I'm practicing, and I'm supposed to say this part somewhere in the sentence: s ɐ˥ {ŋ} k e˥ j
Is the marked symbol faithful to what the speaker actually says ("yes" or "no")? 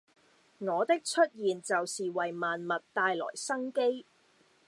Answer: yes